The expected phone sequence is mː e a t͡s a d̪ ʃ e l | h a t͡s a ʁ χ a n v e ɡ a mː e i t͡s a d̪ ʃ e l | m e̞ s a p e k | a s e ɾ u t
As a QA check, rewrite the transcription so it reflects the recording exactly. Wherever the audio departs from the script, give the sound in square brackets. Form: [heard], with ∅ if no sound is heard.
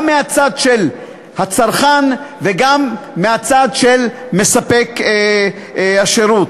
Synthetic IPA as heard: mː e a t͡s a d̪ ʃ e l | h a t͡s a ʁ χ a n v e ɡ a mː e [a] t͡s a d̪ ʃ e l | m e̞ s a p e k | a [ʃ] e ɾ u t